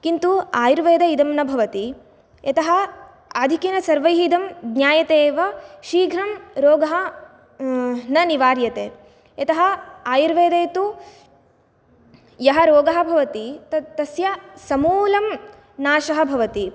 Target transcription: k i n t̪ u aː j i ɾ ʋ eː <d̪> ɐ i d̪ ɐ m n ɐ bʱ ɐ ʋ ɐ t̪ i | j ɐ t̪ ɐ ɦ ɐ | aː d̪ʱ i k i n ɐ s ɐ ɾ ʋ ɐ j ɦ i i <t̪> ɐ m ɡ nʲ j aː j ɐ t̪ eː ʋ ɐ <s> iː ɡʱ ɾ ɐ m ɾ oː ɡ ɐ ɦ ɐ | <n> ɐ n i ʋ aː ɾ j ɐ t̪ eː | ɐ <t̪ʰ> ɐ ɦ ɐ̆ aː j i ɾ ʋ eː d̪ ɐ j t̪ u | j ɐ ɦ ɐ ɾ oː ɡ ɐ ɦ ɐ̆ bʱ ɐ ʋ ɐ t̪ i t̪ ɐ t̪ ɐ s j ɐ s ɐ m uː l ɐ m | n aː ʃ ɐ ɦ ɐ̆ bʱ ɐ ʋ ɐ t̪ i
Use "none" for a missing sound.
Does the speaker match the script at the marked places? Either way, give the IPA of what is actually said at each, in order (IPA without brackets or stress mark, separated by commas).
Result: d̪, d̪, ʃ, n, t̪